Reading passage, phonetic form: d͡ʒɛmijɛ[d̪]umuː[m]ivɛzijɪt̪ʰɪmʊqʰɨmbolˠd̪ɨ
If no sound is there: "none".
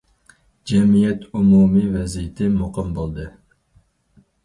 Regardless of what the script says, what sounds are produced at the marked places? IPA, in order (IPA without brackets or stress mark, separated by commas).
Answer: t̪, m